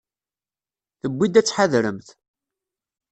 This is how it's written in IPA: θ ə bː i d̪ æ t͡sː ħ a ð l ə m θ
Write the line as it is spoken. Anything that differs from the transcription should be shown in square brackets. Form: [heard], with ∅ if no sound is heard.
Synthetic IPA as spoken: θ ə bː i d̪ æ t͡sː ħ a ð [ɾ] ə m θ